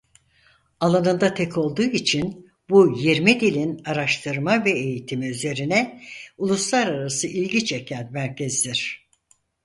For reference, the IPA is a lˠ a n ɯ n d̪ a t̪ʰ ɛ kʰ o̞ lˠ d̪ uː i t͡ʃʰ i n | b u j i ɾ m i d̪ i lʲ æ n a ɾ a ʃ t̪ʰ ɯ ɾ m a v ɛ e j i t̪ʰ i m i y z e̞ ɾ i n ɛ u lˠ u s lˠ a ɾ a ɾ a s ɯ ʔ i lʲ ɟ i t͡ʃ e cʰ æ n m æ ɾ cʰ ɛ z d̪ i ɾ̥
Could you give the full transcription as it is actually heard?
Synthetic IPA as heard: a lˠ a n ɯ n d̪ a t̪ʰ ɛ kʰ o̞ lˠ d̪ uː i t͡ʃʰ i n | b u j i ɾ m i d̪ i lʲ i n a ɾ a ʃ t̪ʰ ɯ ɾ m a v ɛ e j i t̪ʰ i m i y z e̞ ɾ i n ɛ u lˠ u s lˠ a ɾ a ɾ a s ɯ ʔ i lʲ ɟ i t͡ʃ e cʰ æ n m æ ɾ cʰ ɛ z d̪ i ɾ̥